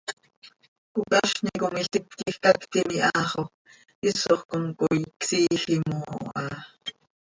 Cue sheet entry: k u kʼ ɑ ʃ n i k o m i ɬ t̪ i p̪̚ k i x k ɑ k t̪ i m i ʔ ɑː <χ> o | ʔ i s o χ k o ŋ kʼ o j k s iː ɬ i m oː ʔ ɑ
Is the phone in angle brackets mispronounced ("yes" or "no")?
no